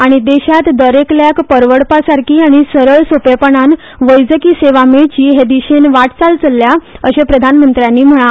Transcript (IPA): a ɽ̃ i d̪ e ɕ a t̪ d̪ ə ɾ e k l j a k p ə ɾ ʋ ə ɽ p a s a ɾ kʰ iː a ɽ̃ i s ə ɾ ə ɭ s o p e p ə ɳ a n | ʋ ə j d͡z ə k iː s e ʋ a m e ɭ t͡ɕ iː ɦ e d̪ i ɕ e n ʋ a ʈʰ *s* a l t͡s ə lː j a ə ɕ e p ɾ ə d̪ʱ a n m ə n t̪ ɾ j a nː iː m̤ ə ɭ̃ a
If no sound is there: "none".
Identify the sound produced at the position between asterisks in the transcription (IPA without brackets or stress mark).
t͡s